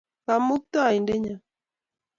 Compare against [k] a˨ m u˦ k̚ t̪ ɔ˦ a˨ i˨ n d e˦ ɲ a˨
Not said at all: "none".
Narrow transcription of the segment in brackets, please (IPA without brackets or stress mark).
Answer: k